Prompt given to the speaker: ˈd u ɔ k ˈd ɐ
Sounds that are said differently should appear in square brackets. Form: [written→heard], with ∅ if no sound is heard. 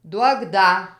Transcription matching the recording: ˈd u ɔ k ˈd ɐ